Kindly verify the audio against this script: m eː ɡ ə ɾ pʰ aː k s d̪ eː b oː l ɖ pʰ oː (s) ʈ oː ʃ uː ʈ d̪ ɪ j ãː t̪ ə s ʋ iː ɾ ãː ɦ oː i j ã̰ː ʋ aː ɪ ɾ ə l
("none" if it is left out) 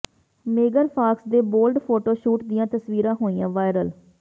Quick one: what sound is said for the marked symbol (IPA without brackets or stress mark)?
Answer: none